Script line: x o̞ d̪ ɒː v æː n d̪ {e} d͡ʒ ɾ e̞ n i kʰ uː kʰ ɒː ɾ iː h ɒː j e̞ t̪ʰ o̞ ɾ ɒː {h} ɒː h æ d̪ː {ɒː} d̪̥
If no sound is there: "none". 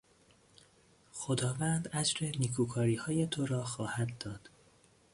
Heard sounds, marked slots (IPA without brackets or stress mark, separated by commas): æ, x, ɒː